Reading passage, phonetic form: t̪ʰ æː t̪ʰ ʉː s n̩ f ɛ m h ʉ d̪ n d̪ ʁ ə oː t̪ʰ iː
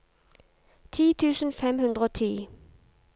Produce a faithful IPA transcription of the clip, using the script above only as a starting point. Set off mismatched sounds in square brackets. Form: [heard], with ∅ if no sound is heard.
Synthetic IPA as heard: t̪ʰ [iː] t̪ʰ ʉː s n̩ f ɛ m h ʉ [∅] n d̪ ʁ ə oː t̪ʰ iː